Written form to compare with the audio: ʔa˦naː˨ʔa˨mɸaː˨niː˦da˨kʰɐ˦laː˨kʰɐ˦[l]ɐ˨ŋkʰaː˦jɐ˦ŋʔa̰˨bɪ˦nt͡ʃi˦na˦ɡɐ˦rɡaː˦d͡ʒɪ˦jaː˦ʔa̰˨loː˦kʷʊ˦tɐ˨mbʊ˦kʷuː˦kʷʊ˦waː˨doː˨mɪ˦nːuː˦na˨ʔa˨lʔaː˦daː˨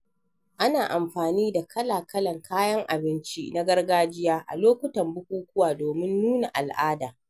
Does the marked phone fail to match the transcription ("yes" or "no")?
no